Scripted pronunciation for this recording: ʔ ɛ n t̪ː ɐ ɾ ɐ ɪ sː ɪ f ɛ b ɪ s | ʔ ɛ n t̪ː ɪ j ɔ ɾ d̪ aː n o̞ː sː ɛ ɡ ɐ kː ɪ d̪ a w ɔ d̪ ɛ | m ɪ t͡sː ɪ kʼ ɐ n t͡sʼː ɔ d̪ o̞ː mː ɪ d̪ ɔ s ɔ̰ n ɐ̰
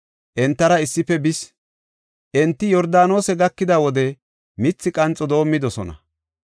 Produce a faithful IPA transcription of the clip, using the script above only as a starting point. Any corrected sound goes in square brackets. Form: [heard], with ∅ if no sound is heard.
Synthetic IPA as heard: ʔ ɛ n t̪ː ɐ ɾ ɐ ɪ sː ɪ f ɛ b ɪ s | ʔ ɛ n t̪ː ɪ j ɔ ɾ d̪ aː n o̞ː [s] ɛ ɡ ɐ kː ɪ d̪ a w ɔ d̪ ɛ | m ɪ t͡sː ɪ kʼ ɐ n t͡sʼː ɔ d̪ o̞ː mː ɪ d̪ ɔ s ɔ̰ n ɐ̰